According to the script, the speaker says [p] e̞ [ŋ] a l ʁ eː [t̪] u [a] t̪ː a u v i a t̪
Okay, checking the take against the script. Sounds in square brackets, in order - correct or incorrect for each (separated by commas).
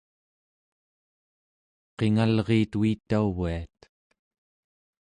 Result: incorrect, correct, correct, incorrect